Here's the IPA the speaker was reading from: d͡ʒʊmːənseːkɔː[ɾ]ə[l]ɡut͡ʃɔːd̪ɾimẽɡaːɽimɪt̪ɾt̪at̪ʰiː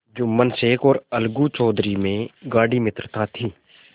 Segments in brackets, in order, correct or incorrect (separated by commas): correct, correct